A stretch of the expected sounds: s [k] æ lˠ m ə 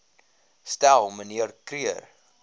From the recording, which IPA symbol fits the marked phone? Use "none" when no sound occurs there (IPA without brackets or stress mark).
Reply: t